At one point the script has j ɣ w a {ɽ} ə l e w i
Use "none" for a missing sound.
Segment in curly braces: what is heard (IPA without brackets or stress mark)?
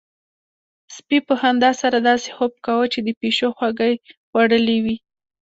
ɽ